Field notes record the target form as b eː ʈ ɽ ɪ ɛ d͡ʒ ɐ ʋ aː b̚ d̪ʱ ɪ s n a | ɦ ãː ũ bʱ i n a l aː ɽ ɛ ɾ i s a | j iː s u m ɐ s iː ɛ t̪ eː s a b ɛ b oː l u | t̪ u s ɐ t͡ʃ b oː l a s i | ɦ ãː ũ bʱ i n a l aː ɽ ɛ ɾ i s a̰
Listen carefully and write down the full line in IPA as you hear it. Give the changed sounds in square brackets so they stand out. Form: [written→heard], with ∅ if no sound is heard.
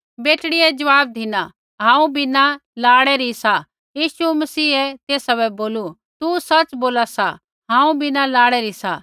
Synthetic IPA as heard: b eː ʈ ɽ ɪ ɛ d͡ʒ ɐ ʋ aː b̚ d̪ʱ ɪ [s→∅] n a | ɦ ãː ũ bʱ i n a l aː ɽ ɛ ɾ i s a | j iː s u m ɐ s iː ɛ t̪ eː s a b ɛ b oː l u | t̪ u s ɐ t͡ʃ b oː l a s [i→a] | ɦ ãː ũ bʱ i n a l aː ɽ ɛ ɾ i s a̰